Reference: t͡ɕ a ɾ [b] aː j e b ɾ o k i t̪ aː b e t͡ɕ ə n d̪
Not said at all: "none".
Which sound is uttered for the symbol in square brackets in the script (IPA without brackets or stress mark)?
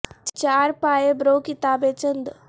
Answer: p